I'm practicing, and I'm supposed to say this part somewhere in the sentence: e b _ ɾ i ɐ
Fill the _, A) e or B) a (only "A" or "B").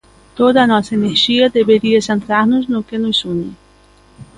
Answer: A